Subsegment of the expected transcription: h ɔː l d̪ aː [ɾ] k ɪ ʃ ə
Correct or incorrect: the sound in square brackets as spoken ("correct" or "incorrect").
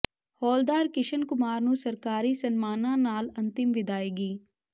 correct